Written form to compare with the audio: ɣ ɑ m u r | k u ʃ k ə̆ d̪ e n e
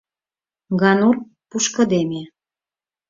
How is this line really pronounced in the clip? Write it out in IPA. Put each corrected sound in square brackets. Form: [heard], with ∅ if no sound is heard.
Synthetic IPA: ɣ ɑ [n] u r | [p] u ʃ k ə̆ d̪ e [m] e